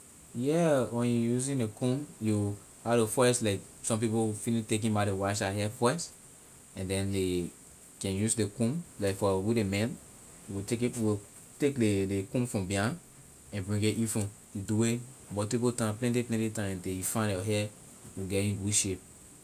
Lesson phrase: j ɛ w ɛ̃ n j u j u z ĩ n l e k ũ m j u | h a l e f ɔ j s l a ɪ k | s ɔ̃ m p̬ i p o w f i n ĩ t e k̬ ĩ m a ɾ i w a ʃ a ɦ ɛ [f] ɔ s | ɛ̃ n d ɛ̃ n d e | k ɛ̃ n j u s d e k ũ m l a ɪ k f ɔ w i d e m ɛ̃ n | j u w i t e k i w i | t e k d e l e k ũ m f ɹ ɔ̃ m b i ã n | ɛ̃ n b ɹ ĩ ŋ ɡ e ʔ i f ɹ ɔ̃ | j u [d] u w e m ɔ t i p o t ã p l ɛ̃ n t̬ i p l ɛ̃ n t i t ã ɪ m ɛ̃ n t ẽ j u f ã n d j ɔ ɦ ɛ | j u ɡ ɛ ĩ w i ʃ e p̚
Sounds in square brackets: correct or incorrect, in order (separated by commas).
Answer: correct, correct